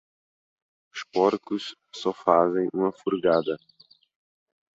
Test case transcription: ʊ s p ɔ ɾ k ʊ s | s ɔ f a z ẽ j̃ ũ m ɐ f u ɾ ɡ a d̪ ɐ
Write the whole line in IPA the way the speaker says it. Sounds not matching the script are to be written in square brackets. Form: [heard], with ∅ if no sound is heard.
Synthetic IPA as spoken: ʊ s p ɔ ɾ k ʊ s | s ɔ f a z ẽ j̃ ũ m ɐ f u ɾ ɡ a d̪ ɐ